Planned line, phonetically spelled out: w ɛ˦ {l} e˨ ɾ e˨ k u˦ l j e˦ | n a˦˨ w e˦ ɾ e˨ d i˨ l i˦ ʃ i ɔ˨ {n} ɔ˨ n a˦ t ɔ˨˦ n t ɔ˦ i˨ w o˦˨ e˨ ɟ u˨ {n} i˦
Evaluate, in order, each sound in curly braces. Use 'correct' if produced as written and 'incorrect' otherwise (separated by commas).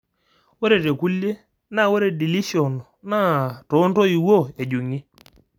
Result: incorrect, correct, incorrect